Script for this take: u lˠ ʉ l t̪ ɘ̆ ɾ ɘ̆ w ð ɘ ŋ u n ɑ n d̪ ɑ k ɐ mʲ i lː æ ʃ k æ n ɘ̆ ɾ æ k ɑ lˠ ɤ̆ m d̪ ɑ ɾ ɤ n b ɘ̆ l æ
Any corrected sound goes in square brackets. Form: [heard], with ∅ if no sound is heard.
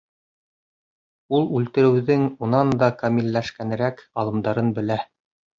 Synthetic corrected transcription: u lˠ ʉ l t̪ ɘ̆ ɾ ɘ̆ w ð ɘ ŋ u n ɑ n d̪ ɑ k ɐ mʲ i lː æ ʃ k æ n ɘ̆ ɾ æ k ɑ lˠ ɤ̆ m d̪ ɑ ɾ ɤ n b ɘ̆ l æ